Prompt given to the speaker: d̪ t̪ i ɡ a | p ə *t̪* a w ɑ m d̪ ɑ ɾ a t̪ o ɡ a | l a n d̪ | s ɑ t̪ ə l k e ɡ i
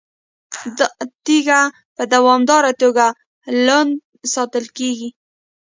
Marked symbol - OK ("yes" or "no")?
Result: no